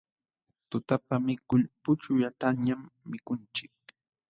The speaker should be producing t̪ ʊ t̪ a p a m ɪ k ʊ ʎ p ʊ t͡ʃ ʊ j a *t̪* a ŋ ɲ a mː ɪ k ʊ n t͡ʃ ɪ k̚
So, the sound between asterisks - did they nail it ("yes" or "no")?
yes